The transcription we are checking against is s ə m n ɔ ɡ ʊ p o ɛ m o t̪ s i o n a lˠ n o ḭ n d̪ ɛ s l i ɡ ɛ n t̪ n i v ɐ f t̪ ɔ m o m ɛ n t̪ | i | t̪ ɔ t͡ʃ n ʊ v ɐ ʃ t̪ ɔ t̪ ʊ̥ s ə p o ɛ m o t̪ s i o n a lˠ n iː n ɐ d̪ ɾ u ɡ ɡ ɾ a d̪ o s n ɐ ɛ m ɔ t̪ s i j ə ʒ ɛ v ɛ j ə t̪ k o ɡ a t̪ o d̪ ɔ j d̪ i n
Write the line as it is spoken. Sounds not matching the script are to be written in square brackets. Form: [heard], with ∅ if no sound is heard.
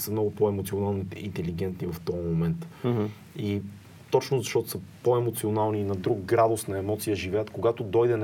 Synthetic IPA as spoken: s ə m n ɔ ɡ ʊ p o ɛ m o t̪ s i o n a lˠ n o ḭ n [t̪] ɛ [∅] l i ɡ ɛ n t̪ n i v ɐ f t̪ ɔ m o m ɛ n t̪ | i | t̪ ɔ t͡ʃ n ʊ [z] ɐ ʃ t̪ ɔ t̪ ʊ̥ s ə p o ɛ m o t̪ s i o n a lˠ n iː n ɐ d̪ ɾ u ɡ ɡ ɾ a d̪ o s n ɐ ɛ m ɔ t̪ s i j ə ʒ [i] v ɛ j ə t̪ k o ɡ a t̪ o d̪ ɔ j d̪ [ɛ] n